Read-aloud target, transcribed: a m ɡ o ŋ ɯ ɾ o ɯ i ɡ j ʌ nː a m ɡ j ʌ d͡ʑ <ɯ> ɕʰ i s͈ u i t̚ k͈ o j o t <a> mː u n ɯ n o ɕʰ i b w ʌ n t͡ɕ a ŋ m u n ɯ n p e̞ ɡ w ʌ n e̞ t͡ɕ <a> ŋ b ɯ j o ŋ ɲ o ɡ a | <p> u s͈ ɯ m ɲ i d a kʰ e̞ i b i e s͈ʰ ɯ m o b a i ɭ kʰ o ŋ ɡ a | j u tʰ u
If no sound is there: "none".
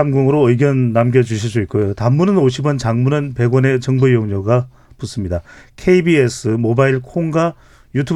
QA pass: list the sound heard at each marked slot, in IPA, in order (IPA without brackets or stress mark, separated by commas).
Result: u, a, ʌ, p